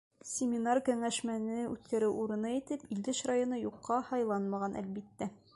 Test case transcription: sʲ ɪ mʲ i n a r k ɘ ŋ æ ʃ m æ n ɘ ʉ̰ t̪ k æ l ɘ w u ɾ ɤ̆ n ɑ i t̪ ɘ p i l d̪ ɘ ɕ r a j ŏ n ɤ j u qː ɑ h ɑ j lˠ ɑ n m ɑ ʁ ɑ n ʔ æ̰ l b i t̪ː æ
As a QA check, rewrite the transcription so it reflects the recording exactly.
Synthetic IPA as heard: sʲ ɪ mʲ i n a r k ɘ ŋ æ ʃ m æ n ɘ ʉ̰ t̪ k æ ɾ ɘ w u ɾ ɤ̆ n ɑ i t̪ ɘ p i l d̪ ɘ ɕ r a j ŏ n ɤ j u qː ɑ h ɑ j lˠ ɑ n m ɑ ʁ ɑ n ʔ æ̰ l b i t̪ː æ